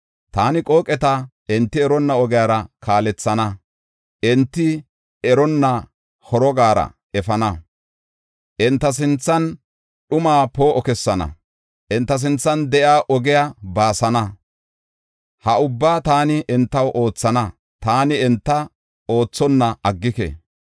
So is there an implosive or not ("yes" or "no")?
yes